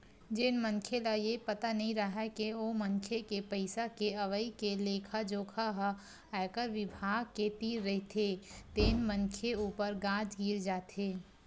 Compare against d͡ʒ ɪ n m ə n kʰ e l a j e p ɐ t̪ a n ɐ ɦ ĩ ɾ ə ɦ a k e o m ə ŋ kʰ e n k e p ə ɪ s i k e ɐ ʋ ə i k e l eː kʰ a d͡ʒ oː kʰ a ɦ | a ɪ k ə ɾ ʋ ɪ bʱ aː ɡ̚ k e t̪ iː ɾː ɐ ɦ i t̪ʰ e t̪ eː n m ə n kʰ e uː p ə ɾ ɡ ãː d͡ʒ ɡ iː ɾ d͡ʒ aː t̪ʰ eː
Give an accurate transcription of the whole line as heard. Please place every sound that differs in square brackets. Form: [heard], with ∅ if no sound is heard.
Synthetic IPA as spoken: d͡ʒ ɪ n m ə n kʰ e l a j e p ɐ t̪ a n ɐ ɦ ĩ ɾ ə ɦ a k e o m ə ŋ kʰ e [∅] k e p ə ɪ s [a] k e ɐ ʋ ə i k e l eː kʰ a d͡ʒ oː kʰ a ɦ | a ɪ k ə ɾ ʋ ɪ bʱ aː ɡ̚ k e t̪ iː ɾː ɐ ɦ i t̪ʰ e t̪ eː n m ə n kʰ e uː p ə ɾ ɡ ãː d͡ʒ ɡ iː ɾ d͡ʒ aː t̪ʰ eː